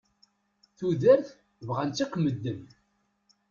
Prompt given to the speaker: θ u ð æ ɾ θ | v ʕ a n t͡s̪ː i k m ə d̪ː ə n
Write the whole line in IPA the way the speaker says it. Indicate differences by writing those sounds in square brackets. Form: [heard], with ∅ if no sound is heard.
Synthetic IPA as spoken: θ u ð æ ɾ θ | v [ʁ] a n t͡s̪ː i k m ə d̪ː ə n